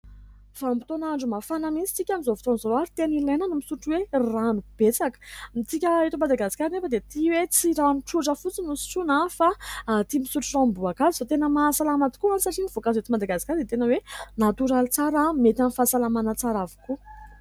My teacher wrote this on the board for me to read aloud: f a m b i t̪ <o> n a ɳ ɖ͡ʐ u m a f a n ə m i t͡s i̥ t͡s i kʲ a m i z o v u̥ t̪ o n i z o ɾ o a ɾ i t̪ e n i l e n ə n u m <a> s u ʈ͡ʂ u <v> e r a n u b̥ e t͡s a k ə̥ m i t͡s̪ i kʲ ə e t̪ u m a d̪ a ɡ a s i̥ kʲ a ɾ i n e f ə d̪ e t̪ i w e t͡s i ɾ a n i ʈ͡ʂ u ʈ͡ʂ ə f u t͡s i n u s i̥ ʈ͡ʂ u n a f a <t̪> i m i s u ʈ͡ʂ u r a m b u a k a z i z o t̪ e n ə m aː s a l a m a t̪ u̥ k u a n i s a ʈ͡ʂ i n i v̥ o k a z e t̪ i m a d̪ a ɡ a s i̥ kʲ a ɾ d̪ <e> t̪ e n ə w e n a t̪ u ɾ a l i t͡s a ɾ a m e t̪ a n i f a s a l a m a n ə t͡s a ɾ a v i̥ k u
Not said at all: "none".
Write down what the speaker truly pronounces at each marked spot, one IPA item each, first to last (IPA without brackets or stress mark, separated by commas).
o, i, w, t̪, e